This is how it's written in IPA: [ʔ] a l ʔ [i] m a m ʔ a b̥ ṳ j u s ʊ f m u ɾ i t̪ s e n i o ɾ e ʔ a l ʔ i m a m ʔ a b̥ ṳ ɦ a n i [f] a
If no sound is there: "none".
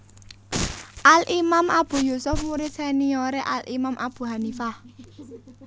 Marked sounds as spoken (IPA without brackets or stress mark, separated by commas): ʔ, i, f